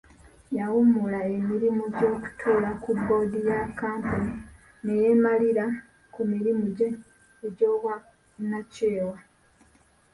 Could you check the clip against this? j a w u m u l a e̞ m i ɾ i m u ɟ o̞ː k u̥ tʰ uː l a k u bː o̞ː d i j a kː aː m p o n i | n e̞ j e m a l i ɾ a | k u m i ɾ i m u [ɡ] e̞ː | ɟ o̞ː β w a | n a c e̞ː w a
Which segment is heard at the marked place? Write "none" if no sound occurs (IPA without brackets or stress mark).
ɟ